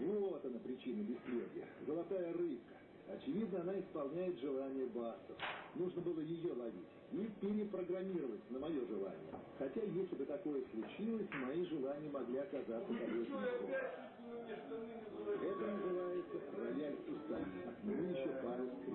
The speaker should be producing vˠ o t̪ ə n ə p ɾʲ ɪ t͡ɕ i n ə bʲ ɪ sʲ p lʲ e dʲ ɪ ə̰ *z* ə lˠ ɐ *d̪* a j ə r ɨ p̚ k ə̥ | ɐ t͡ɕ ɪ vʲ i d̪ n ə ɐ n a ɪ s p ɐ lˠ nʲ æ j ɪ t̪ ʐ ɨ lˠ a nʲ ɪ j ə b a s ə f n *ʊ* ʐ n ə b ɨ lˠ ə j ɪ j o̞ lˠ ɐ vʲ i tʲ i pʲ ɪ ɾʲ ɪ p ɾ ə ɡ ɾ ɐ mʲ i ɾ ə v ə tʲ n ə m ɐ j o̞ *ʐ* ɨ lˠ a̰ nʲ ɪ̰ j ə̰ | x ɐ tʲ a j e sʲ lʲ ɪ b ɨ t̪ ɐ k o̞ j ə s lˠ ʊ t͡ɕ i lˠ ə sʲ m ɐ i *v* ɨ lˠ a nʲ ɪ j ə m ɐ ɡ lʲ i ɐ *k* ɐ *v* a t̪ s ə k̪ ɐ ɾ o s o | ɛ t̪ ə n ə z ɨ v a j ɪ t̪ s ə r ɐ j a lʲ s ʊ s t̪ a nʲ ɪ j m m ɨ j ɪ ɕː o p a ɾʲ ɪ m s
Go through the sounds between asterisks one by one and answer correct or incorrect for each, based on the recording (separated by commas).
correct, incorrect, incorrect, correct, incorrect, correct, incorrect